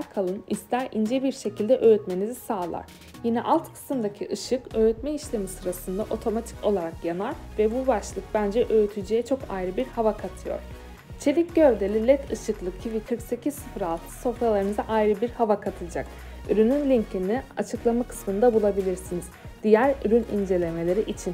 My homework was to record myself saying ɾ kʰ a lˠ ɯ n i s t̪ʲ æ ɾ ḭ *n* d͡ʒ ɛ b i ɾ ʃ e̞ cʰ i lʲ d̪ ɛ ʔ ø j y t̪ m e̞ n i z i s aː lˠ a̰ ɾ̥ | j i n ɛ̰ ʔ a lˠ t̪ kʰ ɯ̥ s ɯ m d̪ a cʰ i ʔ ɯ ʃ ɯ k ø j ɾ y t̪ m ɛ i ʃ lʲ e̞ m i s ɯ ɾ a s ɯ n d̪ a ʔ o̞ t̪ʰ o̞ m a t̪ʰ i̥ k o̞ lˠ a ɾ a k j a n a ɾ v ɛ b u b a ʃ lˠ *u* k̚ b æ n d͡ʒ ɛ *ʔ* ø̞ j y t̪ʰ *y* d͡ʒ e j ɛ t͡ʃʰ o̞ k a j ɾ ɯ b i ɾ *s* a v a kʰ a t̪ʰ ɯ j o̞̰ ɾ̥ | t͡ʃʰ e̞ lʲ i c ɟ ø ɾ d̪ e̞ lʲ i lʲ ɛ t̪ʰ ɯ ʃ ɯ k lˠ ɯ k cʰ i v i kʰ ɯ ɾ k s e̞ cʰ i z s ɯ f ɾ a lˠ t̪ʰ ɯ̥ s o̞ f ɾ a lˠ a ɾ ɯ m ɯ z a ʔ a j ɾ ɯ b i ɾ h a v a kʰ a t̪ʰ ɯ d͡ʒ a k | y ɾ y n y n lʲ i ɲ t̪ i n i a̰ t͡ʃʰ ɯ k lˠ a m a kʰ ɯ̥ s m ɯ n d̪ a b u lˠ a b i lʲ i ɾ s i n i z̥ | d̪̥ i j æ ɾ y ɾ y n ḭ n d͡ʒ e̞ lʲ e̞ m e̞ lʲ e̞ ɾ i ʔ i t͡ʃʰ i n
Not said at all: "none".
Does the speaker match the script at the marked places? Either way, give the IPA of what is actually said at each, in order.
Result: n, ɯ, ʔ, y, h

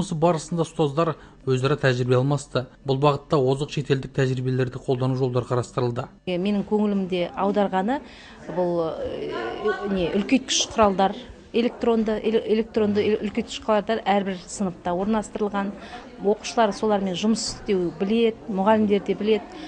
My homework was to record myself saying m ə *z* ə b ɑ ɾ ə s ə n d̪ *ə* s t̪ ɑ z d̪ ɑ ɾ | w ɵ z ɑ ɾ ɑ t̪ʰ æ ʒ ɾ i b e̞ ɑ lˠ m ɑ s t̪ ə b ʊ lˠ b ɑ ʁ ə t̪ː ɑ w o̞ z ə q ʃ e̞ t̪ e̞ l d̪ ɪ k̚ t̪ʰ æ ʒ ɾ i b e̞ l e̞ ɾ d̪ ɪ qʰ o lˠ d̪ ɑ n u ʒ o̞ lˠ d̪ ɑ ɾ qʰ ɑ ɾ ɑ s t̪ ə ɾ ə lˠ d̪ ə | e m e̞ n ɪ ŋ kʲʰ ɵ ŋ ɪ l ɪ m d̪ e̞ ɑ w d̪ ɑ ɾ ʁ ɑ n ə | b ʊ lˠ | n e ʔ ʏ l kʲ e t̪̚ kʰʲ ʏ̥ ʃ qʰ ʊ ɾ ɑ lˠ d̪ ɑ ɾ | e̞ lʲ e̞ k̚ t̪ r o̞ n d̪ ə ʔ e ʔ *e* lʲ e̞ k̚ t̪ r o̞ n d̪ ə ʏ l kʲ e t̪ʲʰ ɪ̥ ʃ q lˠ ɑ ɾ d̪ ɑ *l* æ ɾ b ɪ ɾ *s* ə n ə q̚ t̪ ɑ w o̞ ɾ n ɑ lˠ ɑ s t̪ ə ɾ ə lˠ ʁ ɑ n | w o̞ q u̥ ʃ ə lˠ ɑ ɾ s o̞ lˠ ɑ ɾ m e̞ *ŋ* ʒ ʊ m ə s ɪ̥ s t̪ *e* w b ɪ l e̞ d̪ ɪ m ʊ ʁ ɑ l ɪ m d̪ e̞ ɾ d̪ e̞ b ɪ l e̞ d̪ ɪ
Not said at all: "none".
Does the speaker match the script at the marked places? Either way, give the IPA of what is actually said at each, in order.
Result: s, ɑ, e, ɾ, s, n, e

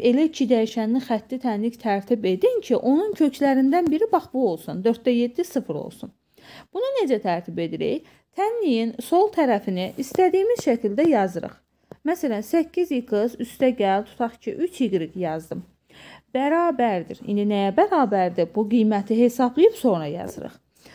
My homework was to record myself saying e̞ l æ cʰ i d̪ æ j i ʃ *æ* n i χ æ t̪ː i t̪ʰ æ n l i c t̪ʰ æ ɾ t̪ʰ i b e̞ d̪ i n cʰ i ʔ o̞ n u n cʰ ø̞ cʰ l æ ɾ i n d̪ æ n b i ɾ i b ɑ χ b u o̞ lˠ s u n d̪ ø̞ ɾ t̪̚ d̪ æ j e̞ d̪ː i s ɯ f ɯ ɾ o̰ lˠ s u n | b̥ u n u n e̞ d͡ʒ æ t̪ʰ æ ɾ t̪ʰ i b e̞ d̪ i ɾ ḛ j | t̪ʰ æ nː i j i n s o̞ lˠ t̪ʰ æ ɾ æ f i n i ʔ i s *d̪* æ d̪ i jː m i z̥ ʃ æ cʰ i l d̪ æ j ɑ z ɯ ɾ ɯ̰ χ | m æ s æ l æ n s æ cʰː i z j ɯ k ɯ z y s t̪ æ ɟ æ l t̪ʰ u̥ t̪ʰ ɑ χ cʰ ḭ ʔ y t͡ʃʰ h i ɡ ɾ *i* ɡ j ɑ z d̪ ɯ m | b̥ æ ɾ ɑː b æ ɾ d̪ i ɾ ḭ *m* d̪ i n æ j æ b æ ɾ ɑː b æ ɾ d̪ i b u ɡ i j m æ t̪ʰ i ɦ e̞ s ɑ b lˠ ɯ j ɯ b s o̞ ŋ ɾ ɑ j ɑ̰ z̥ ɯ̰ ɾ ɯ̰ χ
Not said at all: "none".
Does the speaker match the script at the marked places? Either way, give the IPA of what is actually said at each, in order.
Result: æ, t̪, i, n

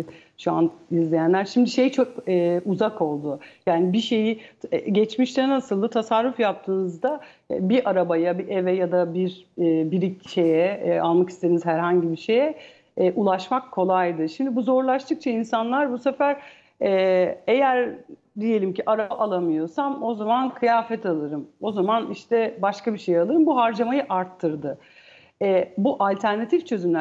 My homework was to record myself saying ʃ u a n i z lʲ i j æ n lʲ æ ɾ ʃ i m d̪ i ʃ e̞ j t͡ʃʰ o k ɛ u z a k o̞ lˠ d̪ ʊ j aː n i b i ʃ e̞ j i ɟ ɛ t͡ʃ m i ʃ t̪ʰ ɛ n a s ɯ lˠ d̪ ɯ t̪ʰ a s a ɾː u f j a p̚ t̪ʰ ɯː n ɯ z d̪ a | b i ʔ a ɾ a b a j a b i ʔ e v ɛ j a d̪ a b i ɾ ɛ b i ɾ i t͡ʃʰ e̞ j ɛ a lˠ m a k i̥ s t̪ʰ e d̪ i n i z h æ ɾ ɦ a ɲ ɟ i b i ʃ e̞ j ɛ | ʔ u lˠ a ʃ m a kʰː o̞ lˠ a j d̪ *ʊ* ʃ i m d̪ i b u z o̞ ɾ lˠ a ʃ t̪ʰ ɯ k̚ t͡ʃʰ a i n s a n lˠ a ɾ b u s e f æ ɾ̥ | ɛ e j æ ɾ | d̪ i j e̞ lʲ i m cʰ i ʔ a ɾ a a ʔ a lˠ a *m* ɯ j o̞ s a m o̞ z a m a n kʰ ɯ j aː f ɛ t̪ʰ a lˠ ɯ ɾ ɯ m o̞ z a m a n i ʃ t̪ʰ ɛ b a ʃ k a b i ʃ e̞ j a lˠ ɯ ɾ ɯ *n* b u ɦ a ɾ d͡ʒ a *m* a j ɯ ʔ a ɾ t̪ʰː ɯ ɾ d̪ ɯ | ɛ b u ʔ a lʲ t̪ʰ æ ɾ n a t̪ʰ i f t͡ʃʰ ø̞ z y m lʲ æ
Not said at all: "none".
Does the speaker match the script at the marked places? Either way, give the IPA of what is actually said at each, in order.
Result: ɯ, m, m, m

